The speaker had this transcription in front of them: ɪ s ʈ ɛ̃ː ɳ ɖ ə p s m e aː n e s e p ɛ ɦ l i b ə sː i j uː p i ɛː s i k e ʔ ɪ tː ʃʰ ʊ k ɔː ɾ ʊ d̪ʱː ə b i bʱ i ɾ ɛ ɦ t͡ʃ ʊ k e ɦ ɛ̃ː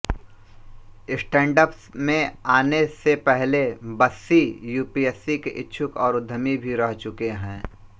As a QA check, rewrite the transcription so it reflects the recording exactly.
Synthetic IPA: ɪ s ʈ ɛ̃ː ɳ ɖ ə p s m ẽ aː n e s e p ɛ ɦ l e b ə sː i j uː p i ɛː s i k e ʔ ɪ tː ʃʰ ʊ k ɔː ɾ ʊ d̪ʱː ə m i bʱ i ɾ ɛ ɦ t͡ʃ ʊ k e ɦ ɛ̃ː